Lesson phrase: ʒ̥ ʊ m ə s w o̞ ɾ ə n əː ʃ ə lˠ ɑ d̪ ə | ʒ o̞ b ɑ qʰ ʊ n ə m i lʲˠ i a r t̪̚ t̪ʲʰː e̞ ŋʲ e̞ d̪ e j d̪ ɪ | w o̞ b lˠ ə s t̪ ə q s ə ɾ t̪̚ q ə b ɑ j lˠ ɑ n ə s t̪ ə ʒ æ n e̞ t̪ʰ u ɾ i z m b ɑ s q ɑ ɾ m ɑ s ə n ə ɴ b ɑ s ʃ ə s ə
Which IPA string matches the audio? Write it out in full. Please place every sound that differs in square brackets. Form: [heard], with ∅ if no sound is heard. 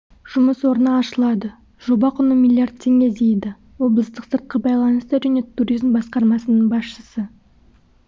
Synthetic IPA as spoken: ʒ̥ ʊ m ə s w o̞ ɾ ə n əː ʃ ə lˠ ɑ d̪ ə | ʒ o̞ b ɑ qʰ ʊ n ə m i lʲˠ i a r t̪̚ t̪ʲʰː e̞ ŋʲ e̞ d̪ e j d̪ ɪ | w o̞ b lˠ ə s t̪ ə q s ə ɾ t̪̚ q ə b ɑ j lˠ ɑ n ə s t̪ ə ʒ æ n e̞ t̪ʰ u ɾ i z m b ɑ s q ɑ ɾ m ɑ s ə n ə ɴ b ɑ s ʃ ə s ə